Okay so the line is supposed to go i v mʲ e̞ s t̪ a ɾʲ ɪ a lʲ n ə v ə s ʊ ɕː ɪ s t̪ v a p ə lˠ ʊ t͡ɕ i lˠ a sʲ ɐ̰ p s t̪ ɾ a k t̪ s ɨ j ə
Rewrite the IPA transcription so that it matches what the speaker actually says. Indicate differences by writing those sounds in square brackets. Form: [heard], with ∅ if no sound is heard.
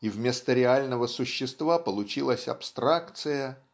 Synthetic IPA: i v mʲ e̞ s t̪ [ə] ɾʲ ɪ a lʲ n ə v ə s ʊ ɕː ɪ s t̪ v a p ə lˠ ʊ t͡ɕ i lˠ [ə] sʲ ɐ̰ p s t̪ ɾ a k t̪ s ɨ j ə

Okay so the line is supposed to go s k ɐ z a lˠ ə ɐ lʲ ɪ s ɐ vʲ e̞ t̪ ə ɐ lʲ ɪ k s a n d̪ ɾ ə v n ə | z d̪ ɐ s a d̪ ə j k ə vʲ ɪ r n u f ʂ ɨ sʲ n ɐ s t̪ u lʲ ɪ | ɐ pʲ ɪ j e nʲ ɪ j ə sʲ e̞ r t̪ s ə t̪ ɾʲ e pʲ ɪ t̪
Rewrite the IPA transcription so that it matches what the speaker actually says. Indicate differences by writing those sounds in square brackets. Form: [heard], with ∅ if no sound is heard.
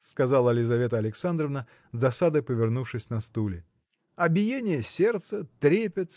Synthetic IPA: s k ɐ z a lˠ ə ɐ lʲ ɪ [z] ɐ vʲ e̞ t̪ ə ɐ lʲ ɪ k s a n d̪ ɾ ə v n ə | z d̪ ɐ s a d̪ ə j [p] ə vʲ ɪ r n u f ʂ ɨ sʲ n ɐ s t̪ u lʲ ɪ | ɐ [bʲ] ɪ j e nʲ ɪ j ə sʲ e̞ r t̪ s ə t̪ ɾʲ e pʲ ɪ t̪

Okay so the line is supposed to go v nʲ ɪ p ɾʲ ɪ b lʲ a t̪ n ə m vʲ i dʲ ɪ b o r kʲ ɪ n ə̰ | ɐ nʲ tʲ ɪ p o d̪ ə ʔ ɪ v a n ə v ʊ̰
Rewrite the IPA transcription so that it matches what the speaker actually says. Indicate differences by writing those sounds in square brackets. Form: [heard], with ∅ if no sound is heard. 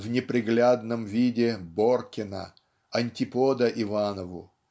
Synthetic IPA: v nʲ ɪ p ɾʲ ɪ [ɡ] lʲ a [d̪] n ə m vʲ i dʲ ɪ b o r kʲ ɪ n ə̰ | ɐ nʲ tʲ ɪ p o d̪ ə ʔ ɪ v a n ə v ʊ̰

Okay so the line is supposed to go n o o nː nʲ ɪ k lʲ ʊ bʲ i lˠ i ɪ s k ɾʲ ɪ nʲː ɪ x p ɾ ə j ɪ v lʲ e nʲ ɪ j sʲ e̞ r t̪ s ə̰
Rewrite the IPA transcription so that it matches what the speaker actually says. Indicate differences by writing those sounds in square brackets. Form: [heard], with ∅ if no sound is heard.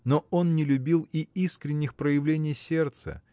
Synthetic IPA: n o o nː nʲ ɪ [∅] lʲ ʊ bʲ i lˠ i [i] s k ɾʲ ɪ nʲː ɪ x p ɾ ə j ɪ v lʲ e nʲ ɪ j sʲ e̞ r t̪ s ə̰

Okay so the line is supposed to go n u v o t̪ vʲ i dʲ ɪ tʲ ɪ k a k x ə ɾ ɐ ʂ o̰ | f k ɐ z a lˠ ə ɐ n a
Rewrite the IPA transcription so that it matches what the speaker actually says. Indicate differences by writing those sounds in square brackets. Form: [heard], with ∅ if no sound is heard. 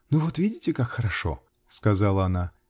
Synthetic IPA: n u v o t̪ vʲ i dʲ ɪ tʲ ɪ k a k x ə ɾ ɐ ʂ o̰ | [s] k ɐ z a lˠ ə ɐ n a

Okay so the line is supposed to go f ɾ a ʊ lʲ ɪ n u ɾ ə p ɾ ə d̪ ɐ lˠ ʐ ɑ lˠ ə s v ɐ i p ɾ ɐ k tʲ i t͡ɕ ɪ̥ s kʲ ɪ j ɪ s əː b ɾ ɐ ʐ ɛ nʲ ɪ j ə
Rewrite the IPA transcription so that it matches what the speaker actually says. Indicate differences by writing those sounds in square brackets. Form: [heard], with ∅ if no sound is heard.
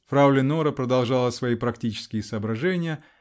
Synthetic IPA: f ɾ a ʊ lʲ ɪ n [o] ɾ ə p ɾ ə d̪ ɐ lˠ ʐ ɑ lˠ ə s v ɐ i p ɾ ɐ k tʲ i t͡ɕ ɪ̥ s kʲ ɪ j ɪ s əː b ɾ ɐ ʐ ɛ nʲ ɪ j ə

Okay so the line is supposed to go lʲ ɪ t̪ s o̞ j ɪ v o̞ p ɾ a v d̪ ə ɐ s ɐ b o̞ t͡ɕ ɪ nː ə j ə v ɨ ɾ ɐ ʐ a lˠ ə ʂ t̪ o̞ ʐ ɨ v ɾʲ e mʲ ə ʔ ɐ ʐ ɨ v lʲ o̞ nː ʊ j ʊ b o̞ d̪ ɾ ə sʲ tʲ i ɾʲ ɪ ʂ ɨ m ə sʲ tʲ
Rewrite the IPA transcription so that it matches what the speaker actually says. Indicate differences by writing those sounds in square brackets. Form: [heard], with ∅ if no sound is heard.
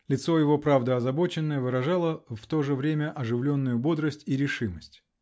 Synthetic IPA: lʲ ɪ t̪ s o̞ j ɪ v o̞ p ɾ a v d̪ ə ɐ [z] ɐ b o̞ t͡ɕ ɪ nː ə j ə v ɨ ɾ ɐ ʐ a lˠ ə [f] t̪ o̞ ʐ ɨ v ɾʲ e mʲ ə ʔ ɐ ʐ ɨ v lʲ o̞ nː ʊ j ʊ b o̞ d̪ ɾ ə sʲ tʲ i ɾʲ ɪ ʂ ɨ m ə sʲ tʲ

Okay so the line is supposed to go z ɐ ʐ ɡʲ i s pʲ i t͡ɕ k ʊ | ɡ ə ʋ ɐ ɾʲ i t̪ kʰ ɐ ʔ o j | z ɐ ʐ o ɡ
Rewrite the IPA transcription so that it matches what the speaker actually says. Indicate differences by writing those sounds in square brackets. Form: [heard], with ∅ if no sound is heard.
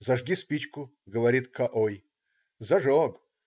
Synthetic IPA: z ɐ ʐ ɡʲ i s pʲ i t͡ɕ k ʊ | ɡ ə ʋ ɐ ɾʲ i t̪ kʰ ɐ ʔ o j | z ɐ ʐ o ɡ

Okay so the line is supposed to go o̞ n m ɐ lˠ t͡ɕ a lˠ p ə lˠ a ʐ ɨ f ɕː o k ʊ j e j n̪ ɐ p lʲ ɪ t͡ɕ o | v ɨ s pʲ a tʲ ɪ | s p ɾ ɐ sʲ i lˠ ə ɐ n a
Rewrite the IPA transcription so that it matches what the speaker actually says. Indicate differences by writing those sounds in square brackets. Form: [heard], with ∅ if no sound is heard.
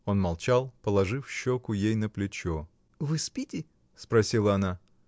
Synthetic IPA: o̞ n m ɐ lˠ t͡ɕ a lˠ p ə lˠ [ɐ] ʐ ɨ f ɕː o k ʊ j e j n̪ [ə] p lʲ ɪ t͡ɕ o | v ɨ s pʲ [i] tʲ ɪ | s p ɾ ɐ sʲ i lˠ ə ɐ n a

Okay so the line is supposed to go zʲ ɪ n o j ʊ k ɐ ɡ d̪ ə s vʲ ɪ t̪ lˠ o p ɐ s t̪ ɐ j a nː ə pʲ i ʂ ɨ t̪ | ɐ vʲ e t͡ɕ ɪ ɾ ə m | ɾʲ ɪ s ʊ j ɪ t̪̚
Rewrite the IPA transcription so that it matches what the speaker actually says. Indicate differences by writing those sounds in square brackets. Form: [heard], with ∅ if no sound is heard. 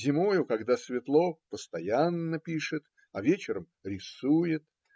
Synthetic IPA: zʲ ɪ [m] o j ʊ k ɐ ɡ d̪ [a] s vʲ ɪ t̪ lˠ o p [ə] s t̪ ɐ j a nː ə pʲ i ʂ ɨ t̪ | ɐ vʲ e t͡ɕ ɪ ɾ ə m | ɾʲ ɪ s [u] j ɪ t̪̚

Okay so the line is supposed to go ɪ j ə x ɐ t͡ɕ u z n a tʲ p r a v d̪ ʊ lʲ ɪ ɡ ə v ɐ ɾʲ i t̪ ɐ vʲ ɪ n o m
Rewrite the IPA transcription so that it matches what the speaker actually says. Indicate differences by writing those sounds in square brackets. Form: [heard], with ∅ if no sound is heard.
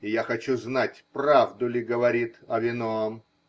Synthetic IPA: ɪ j [a] x ɐ t͡ɕ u z n a tʲ p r a v d̪ ʊ lʲ ɪ ɡ ə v ɐ ɾʲ i t̪ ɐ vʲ ɪ n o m

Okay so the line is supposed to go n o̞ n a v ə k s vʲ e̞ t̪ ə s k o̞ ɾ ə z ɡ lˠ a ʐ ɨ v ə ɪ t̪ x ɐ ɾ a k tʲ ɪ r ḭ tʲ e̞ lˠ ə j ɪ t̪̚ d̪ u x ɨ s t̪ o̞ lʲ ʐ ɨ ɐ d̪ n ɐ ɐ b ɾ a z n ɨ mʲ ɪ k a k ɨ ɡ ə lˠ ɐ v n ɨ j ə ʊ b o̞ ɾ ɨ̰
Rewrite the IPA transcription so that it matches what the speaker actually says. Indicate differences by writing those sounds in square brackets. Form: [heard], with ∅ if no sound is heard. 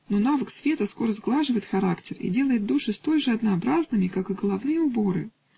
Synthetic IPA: n o̞ n a v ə k s vʲ e̞ t̪ ə s k o̞ ɾ ə z ɡ lˠ a ʐ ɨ v ə ɪ t̪ x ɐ ɾ a k tʲ ɪ r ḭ [dʲ] e̞ lˠ ə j ɪ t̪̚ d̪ u [ʂ] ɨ s t̪ o̞ lʲ ʐ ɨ ɐ d̪ n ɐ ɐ b ɾ a z n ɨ mʲ ɪ k a k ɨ ɡ ə lˠ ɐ v n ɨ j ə ʊ b o̞ ɾ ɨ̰

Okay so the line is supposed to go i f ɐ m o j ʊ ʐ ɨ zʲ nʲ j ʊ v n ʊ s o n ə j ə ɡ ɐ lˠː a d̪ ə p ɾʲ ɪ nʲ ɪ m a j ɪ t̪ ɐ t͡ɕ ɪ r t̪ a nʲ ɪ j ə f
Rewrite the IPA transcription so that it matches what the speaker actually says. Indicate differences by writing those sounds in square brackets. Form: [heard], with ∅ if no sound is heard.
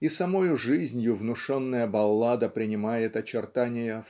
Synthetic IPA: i [s] ɐ m o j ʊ ʐ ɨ zʲ nʲ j ʊ v n ʊ [ʂ] o [nː] ə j ə [b] ɐ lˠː a d̪ ə p ɾʲ ɪ nʲ ɪ m a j ɪ t̪ ɐ t͡ɕ ɪ r t̪ a nʲ ɪ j ə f

